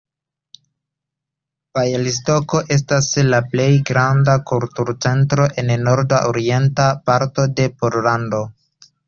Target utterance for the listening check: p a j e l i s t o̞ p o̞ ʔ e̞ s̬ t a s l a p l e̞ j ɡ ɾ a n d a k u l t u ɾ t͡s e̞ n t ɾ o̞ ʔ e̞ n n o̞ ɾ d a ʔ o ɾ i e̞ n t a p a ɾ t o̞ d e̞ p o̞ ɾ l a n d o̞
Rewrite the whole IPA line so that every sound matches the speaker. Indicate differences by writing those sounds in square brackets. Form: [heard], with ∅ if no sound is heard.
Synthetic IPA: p a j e l i s t o̞ [k] o̞ ʔ e̞ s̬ t a s l a p l e̞ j ɡ ɾ a n d a k u l t u ɾ t͡s e̞ n t ɾ o̞ ʔ e̞ n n o̞ ɾ d a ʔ o ɾ i e̞ n t a p a ɾ t o̞ d e̞ p o̞ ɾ l a n d o̞